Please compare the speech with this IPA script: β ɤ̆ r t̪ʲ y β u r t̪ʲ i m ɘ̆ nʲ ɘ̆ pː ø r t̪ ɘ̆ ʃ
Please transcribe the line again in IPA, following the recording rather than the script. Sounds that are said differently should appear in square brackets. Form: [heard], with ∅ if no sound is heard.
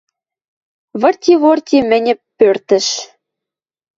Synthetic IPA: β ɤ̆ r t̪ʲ [i] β [o] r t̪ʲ i m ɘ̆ nʲ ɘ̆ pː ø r t̪ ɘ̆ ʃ